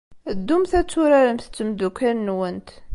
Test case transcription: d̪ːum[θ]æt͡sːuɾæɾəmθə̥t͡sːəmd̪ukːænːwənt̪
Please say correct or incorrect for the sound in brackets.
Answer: correct